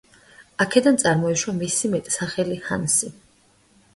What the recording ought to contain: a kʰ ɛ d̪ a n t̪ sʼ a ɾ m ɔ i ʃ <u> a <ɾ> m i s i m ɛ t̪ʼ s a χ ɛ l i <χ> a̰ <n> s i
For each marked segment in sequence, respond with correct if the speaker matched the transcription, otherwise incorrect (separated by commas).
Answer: incorrect, incorrect, incorrect, correct